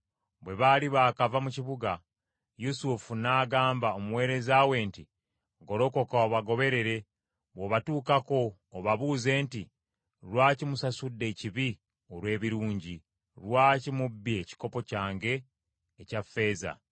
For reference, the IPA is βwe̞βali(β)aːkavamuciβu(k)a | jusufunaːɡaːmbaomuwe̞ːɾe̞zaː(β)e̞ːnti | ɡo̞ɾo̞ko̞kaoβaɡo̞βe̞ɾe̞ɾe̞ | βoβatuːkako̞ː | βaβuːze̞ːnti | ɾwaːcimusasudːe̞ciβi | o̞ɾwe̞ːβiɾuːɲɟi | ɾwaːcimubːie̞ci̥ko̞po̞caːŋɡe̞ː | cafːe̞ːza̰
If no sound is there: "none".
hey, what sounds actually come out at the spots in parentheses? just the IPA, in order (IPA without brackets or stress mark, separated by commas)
β, ɡ, w